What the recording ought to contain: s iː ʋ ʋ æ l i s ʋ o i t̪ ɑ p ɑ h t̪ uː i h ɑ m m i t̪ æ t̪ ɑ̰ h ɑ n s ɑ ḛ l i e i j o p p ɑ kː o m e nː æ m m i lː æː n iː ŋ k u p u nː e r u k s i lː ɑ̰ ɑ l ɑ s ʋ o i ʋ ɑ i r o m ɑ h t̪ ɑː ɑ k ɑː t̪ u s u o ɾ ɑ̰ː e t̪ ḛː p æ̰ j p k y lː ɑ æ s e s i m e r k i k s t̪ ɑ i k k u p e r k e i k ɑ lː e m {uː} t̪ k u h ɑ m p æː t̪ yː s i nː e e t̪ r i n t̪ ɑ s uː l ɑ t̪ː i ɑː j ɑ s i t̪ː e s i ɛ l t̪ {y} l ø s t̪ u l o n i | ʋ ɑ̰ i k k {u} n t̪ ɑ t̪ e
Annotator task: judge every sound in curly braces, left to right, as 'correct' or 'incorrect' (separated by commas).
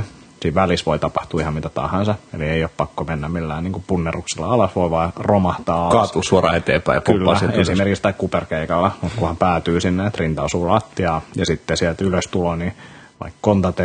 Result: incorrect, correct, incorrect